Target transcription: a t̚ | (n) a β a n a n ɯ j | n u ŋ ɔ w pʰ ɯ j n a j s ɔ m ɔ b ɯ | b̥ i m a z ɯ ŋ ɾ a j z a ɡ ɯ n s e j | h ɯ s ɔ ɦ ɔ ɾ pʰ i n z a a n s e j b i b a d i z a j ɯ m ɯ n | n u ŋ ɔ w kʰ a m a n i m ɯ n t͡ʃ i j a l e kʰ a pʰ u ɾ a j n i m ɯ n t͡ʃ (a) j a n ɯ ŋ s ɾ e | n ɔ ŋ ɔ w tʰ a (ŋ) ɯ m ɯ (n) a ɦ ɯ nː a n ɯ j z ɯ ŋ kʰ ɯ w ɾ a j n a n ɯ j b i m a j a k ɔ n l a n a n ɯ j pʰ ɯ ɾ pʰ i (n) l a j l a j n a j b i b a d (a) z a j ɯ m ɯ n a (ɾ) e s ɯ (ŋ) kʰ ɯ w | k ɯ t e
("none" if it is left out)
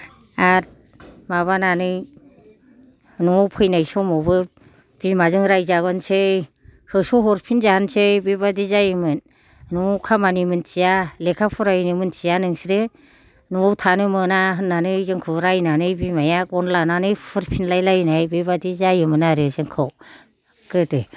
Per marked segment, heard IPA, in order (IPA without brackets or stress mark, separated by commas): m, i, n, n, n, i, ɾ, ŋ